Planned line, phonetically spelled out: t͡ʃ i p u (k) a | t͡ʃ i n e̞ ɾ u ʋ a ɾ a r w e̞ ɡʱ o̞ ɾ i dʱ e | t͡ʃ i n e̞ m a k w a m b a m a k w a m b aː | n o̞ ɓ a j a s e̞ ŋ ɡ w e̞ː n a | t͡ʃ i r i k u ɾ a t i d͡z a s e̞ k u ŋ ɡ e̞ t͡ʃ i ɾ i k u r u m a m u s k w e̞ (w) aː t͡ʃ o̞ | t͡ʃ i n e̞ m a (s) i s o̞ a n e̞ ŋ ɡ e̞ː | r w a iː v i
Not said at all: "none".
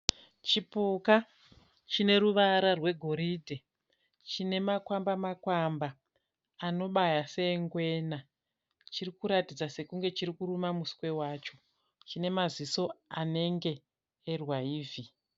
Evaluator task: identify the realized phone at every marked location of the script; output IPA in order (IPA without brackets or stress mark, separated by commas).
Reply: k, w, z